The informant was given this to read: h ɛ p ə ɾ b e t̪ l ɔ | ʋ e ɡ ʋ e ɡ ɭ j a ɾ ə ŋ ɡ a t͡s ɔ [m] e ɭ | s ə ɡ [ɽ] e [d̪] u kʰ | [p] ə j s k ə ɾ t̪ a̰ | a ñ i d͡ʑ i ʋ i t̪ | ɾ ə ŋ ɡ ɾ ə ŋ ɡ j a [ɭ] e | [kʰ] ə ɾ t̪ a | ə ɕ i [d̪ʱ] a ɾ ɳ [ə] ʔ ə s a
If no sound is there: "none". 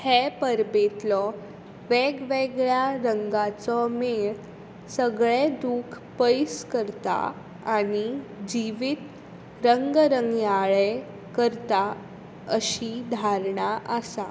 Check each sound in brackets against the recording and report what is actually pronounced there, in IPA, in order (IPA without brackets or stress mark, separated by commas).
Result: m, ɭ, d̪, p, ɭ, k, d̪ʱ, a